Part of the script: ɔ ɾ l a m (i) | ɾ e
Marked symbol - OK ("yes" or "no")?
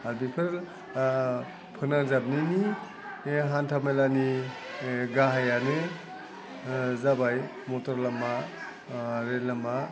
no